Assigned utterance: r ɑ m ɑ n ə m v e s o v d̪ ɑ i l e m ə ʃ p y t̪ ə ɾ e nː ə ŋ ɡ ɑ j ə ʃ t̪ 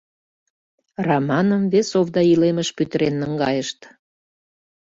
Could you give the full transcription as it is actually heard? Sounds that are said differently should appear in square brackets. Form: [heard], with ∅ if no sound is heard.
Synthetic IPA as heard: r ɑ m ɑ n ə m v e s o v d̪ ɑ i l e m ə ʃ p y t̪ ə ɾ e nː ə ŋ ɡ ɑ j ə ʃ t̪